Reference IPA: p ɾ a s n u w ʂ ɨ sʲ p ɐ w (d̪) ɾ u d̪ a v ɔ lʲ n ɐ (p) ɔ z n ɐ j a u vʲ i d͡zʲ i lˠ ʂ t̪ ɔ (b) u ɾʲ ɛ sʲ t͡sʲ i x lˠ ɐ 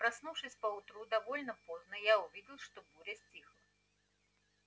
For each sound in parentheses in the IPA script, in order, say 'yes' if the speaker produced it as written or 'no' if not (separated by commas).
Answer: no, yes, yes